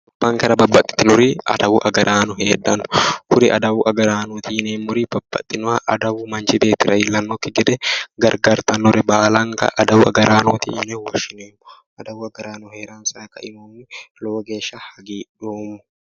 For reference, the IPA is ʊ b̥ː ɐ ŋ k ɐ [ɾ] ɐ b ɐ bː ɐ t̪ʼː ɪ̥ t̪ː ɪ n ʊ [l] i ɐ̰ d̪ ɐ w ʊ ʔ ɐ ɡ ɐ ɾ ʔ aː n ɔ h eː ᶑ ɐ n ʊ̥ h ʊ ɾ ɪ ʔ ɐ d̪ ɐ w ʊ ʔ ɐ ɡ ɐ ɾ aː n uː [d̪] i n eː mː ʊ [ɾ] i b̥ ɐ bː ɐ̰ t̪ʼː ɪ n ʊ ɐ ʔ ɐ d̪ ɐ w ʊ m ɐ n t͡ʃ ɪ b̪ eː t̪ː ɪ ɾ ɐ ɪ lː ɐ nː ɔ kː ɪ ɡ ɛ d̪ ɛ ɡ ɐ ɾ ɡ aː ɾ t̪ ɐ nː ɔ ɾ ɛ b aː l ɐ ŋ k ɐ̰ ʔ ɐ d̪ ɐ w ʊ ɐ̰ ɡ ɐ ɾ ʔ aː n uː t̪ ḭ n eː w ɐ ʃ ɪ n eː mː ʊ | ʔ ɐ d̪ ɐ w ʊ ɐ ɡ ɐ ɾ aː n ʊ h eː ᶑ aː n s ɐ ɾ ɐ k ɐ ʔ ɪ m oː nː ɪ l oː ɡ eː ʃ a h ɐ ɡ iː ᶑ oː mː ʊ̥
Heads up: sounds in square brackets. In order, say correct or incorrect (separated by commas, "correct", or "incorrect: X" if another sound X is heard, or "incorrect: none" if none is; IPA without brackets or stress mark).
correct, incorrect: ɾ, incorrect: t̪, correct